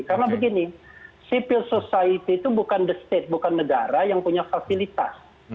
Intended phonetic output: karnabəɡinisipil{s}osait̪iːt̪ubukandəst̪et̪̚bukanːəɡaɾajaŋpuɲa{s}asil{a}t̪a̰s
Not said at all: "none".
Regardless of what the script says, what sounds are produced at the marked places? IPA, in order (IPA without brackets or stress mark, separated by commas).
s, f, i